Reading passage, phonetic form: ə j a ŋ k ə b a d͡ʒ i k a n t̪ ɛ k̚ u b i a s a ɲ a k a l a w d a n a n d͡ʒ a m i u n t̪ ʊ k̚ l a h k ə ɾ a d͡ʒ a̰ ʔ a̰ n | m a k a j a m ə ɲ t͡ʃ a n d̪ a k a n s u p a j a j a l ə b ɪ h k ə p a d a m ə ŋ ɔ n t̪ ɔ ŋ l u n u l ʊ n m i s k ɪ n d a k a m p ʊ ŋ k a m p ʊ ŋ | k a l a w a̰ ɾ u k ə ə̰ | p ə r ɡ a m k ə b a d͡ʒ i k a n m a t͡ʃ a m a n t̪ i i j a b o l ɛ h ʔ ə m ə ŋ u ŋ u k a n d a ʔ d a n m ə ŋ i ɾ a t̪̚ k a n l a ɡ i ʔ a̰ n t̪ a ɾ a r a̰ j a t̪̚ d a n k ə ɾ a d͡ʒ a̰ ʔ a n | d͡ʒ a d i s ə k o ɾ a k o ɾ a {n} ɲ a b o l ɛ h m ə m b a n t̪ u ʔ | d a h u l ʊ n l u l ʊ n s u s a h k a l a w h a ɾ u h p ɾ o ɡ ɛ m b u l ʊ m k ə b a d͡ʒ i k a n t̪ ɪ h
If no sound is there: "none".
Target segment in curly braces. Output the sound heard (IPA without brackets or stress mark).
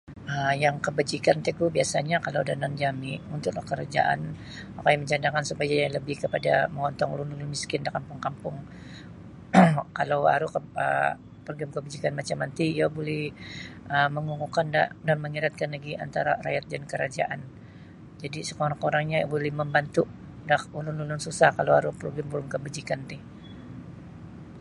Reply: ŋ